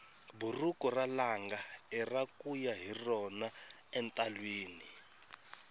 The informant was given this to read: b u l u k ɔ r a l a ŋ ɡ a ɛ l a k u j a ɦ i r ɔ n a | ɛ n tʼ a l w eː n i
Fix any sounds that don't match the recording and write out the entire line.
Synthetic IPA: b u r u k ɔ r a l a ŋ ɡ a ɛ r a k u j a ɦ i r ɔ n a | ɛ n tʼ a l w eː n i